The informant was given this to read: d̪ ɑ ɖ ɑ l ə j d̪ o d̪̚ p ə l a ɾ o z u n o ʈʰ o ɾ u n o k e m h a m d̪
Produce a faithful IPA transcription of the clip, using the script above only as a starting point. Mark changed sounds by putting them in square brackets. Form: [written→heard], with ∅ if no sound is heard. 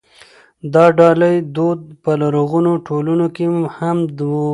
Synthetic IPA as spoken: d̪ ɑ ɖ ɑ l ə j d̪ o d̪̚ p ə l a ɾ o [z→ɣ] u n o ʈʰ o [ɾ→l] u n o k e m h a m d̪